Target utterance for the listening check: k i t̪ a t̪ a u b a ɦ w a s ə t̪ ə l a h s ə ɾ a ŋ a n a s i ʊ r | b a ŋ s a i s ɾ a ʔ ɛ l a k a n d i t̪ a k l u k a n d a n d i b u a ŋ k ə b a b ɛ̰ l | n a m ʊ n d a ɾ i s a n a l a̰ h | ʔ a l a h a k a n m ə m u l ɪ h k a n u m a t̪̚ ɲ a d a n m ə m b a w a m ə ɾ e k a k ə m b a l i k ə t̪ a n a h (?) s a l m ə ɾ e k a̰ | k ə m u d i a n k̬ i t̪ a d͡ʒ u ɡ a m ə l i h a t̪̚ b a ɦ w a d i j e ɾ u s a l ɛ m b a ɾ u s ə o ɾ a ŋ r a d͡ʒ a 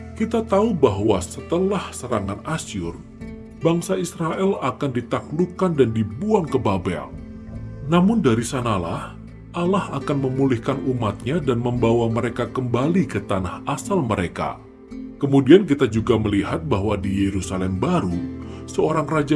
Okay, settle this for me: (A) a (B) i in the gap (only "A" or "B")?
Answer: A